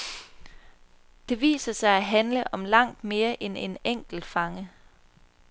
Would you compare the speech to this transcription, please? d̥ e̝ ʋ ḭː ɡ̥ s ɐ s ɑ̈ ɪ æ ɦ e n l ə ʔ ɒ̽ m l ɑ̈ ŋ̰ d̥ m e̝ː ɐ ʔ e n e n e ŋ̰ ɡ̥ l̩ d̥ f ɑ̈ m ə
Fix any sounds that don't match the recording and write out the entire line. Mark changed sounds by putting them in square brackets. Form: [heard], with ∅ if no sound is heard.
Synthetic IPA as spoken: d̥ e̝ ʋ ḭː [∅] s ɐ s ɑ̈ ɪ æ ɦ [æ] n l ə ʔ ɒ̽ m l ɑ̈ ŋ̰ d̥ m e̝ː ɐ ʔ e n e n e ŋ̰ ɡ̥ l̩ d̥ f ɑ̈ [ŋ] ə